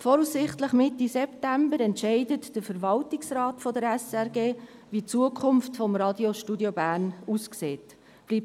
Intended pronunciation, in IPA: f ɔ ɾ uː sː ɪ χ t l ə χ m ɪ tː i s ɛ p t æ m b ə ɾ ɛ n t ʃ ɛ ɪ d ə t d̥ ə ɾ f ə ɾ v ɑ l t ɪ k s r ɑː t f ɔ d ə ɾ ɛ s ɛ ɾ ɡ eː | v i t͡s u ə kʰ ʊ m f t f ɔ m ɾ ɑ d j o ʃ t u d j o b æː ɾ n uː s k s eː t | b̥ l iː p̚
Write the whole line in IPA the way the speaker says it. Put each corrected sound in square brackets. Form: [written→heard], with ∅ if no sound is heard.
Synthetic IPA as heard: f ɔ ɾ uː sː ɪ χ t l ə χ m ɪ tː i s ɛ p t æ m b ə ɾ ɛ n t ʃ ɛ ɪ d ə t d̥ ə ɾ f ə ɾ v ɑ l t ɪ k s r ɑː t f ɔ d ə ɾ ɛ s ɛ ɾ ɡ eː | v i t͡s u ə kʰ ʊ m f t f ɔ m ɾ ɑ d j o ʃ t u d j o b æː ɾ n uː s k s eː t | b̥ l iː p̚